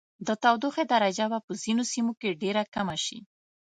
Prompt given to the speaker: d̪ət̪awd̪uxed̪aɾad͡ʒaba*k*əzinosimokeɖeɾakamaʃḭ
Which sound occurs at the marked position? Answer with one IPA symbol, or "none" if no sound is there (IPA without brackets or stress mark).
p